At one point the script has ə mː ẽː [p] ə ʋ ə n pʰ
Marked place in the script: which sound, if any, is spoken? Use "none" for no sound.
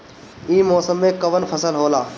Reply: k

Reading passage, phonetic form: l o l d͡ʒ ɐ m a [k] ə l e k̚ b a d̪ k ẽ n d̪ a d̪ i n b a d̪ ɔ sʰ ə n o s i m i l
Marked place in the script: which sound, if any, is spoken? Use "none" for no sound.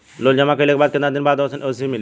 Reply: k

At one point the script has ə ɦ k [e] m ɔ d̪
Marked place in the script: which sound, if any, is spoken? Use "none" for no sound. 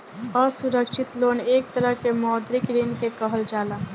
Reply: e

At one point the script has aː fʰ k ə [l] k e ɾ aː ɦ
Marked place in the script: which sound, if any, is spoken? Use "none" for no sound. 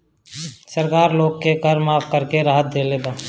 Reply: ɾ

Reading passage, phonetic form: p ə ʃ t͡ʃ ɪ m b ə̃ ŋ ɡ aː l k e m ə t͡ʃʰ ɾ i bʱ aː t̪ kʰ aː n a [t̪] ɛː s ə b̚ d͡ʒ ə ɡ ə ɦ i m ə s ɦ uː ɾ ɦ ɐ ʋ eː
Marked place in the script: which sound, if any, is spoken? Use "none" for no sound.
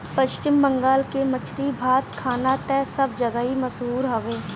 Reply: t̪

